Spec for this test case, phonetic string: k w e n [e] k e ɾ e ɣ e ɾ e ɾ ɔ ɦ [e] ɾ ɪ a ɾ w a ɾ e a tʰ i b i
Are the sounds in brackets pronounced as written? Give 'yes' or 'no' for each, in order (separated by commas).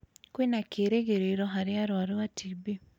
no, no